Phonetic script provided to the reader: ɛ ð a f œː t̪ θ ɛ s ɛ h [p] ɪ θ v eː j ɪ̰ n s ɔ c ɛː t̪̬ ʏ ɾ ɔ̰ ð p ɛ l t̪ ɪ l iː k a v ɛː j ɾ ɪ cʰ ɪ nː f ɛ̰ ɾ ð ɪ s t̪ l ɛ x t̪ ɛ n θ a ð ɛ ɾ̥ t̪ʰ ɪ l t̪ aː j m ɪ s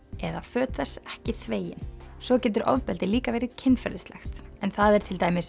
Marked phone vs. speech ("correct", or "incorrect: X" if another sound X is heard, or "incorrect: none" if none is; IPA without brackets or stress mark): incorrect: c